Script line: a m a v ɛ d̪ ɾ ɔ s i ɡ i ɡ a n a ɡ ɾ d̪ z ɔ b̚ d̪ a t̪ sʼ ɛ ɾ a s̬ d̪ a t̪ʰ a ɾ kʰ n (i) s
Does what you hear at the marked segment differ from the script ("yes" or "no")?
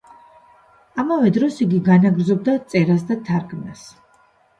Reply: yes